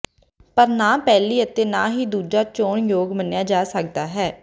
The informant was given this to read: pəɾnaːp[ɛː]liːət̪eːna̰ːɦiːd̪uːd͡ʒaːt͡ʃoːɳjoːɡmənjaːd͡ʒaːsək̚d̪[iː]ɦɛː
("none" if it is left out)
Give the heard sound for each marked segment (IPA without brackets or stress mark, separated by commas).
ɛː, aː